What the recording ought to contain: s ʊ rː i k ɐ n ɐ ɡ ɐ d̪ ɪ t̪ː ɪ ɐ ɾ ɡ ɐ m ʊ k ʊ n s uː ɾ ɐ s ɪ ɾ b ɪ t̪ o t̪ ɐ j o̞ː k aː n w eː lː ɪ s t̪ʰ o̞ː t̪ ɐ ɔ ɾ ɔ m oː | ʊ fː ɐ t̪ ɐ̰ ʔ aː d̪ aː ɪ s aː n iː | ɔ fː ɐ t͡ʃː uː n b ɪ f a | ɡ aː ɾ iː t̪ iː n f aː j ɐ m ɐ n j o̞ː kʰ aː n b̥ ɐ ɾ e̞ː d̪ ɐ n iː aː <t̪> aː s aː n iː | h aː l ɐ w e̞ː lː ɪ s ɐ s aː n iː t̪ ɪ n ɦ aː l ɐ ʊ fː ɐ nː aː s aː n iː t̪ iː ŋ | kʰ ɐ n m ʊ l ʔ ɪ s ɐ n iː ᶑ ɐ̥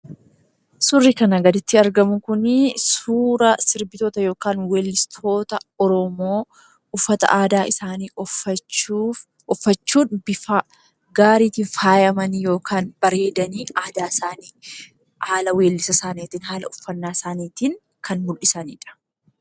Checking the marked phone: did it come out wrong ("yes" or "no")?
yes